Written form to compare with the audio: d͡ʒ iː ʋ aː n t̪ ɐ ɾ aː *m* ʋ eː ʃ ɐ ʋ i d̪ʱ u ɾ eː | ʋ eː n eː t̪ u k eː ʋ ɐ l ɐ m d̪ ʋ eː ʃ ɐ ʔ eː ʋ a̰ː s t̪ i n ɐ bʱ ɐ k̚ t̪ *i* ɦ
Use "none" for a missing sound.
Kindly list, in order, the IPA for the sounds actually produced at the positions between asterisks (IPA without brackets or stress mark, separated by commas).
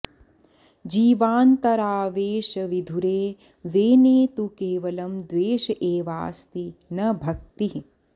none, i